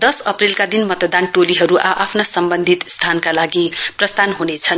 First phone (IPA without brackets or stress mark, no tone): d̪